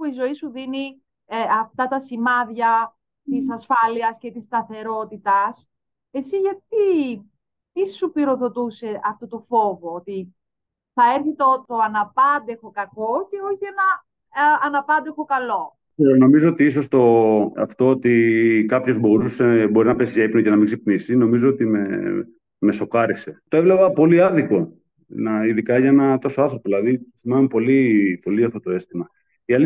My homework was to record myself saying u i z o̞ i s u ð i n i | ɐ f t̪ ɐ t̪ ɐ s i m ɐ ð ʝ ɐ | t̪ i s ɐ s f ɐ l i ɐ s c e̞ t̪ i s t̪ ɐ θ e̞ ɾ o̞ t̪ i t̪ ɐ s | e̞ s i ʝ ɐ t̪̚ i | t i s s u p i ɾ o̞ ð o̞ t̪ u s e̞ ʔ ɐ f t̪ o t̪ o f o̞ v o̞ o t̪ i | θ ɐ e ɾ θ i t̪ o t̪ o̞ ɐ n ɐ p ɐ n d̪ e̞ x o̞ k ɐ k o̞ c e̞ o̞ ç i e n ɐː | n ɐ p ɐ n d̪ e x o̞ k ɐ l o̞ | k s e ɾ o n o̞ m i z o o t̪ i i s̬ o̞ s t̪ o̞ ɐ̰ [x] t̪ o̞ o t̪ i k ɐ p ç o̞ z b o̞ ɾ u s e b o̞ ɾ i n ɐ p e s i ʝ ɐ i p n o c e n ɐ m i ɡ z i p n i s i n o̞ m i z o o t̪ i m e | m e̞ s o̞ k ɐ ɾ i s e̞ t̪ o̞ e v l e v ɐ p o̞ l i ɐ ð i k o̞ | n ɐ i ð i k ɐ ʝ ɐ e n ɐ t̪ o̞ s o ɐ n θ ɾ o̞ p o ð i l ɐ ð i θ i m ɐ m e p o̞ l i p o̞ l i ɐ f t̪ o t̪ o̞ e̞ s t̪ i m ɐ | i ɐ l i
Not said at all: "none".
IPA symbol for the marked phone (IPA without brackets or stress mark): f